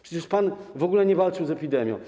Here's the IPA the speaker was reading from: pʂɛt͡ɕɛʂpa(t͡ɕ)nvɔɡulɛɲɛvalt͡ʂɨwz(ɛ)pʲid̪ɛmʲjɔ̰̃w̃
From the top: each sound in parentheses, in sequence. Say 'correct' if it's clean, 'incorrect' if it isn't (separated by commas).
incorrect, correct